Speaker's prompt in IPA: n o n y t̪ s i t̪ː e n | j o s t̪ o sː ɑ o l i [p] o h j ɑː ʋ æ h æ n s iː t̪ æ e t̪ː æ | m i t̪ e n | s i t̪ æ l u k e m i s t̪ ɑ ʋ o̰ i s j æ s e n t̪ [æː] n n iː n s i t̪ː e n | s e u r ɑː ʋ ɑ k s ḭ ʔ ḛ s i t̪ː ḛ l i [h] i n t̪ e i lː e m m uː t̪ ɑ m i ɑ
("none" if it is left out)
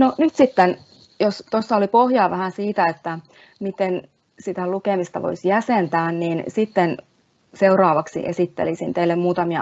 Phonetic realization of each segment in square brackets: p, æː, s

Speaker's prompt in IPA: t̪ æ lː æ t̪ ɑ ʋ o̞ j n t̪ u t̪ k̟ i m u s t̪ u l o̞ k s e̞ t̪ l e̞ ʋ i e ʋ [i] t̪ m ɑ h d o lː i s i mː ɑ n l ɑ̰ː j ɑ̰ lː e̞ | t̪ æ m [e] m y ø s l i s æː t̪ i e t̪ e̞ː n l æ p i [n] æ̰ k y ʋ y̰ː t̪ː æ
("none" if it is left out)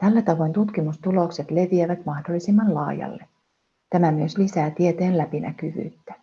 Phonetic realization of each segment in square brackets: æ, æ, n

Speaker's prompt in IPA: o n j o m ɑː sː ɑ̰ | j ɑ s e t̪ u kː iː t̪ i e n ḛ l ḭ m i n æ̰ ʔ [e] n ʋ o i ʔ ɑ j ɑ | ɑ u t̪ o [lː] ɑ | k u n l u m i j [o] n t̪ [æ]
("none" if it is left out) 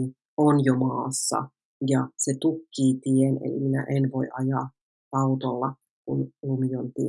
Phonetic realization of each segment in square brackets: e, lː, o, i

